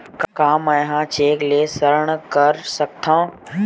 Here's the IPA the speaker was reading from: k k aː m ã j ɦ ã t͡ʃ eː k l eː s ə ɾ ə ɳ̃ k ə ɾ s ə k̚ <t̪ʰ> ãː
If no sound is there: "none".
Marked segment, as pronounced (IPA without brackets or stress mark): t̪ʰ